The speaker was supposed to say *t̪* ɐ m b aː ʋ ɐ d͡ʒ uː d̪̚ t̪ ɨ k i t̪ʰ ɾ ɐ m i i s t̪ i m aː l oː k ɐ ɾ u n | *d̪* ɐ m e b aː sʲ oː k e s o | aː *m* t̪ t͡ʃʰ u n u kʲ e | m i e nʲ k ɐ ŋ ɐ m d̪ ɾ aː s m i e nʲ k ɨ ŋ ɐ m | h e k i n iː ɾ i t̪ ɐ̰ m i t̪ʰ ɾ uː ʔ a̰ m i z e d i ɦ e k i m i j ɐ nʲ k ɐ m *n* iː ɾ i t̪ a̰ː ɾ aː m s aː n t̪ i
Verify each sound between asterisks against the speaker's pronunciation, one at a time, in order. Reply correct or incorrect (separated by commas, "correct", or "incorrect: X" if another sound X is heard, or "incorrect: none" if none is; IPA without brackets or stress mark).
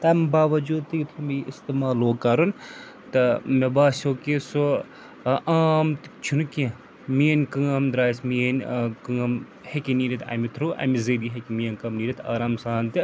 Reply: correct, incorrect: t̪, correct, correct